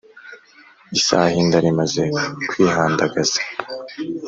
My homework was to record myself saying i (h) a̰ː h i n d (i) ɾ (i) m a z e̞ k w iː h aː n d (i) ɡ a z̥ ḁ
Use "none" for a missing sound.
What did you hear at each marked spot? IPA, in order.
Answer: s, a, i, a

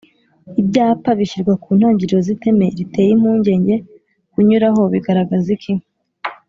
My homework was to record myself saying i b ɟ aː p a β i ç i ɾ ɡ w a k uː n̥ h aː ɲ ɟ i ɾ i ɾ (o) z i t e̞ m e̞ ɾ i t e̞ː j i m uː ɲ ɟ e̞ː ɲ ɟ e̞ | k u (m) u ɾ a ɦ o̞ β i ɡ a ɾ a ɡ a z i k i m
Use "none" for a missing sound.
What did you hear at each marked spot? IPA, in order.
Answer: o, ɲ

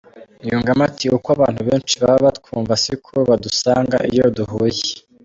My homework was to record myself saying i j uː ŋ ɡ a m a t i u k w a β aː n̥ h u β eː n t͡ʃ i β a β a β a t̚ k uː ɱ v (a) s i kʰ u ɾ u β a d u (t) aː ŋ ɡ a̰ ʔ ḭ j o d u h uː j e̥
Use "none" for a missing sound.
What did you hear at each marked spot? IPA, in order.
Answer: a, s

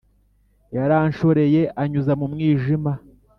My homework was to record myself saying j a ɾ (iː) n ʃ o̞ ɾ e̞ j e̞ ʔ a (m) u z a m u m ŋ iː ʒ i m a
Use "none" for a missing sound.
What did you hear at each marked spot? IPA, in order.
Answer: aː, ɲ

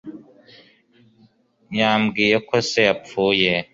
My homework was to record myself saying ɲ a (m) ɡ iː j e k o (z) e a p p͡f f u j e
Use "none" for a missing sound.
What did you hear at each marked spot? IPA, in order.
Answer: m, s

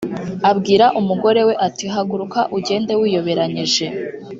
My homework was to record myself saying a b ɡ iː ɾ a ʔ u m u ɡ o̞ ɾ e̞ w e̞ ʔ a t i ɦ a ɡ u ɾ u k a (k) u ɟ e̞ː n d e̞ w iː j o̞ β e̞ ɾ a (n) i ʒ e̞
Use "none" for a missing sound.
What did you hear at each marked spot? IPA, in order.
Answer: ʔ, ɲ

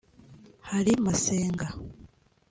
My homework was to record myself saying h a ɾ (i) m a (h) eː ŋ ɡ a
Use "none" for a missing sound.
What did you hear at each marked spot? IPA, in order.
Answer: i, s

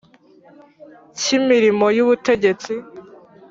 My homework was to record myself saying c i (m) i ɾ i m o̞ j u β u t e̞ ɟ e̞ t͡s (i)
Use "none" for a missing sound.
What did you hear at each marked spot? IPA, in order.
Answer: m, i

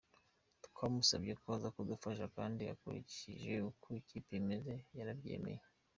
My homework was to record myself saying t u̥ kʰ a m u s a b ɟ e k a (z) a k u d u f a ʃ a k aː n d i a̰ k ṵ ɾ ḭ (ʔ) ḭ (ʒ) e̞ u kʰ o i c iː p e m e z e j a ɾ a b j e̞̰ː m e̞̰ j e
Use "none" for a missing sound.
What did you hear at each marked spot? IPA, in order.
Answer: z, c, ʒ

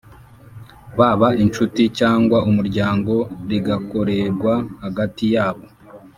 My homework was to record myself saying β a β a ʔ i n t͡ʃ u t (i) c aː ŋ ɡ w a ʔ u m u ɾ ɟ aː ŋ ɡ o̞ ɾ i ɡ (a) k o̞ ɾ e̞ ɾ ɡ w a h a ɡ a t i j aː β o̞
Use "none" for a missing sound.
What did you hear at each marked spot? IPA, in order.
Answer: i, a

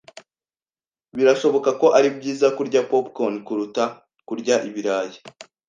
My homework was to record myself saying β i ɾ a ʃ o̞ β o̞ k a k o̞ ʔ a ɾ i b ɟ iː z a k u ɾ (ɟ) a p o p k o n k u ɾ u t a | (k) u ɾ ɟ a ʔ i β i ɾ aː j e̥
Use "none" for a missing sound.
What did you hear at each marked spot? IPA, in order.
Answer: ɟ, k

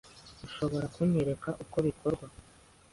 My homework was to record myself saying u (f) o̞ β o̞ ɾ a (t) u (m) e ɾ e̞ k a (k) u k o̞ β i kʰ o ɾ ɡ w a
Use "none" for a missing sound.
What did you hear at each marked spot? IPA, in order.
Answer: ʃ, k, ɲ, ʔ

